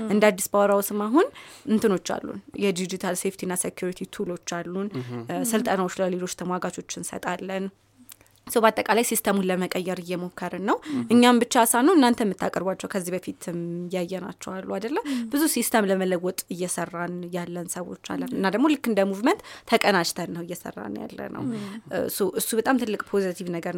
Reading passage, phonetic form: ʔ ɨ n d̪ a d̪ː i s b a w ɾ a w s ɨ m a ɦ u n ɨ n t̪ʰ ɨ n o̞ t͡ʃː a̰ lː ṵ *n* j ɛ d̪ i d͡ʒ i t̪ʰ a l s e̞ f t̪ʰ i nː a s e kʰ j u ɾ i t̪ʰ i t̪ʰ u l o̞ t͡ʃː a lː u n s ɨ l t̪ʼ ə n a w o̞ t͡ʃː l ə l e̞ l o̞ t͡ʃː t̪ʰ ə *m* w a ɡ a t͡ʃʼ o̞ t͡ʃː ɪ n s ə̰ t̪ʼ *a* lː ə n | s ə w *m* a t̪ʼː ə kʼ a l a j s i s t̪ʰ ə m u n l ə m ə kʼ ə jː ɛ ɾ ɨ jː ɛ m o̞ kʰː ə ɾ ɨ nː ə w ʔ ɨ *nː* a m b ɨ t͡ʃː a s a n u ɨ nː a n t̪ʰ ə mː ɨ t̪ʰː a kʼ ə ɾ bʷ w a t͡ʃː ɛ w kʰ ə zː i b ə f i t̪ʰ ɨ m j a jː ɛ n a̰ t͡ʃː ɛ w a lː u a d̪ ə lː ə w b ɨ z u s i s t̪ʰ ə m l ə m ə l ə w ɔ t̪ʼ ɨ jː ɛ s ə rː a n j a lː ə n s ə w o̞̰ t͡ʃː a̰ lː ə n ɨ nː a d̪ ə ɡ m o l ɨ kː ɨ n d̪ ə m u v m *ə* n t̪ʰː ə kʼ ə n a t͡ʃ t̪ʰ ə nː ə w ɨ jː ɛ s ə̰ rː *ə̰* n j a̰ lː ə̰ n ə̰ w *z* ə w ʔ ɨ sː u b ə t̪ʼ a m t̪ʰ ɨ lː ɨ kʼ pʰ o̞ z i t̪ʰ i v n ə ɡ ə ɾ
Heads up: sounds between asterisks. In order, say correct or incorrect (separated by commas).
correct, correct, correct, incorrect, incorrect, correct, incorrect, incorrect